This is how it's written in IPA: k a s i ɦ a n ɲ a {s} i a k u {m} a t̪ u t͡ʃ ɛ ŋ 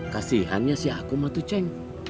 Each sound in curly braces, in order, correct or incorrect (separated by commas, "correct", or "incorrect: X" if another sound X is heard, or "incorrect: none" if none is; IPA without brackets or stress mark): correct, correct